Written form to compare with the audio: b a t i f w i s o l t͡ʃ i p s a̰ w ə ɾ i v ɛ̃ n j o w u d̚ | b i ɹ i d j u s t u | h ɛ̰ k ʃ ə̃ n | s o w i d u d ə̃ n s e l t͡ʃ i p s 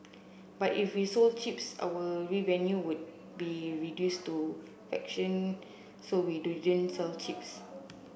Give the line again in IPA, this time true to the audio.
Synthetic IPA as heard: b a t i f w i s o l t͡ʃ i p s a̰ w ə ɹ i v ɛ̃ n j u w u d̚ | b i ɹ i d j u s t u | f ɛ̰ k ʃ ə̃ n | s o w i d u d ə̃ n s ɛ l t͡ʃ i p s